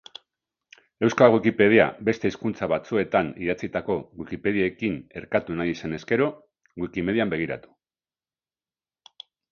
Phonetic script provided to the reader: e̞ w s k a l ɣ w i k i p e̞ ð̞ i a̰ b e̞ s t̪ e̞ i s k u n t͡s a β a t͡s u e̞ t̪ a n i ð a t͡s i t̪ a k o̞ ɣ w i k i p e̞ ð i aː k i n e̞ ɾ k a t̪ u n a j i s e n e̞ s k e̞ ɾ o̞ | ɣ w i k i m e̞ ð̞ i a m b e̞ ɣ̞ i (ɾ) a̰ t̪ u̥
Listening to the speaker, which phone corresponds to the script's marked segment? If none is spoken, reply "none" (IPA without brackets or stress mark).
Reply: ɾ